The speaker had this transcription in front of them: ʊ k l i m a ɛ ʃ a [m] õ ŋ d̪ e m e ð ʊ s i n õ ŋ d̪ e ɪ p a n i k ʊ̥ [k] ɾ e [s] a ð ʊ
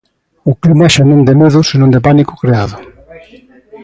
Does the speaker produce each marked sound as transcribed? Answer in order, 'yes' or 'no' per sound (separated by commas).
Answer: no, yes, no